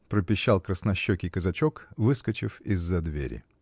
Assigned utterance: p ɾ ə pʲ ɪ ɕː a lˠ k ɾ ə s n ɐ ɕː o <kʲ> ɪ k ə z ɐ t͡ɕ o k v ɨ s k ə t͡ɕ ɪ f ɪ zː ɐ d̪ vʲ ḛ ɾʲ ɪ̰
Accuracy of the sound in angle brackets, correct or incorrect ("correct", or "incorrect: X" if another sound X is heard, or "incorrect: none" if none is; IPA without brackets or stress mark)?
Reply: correct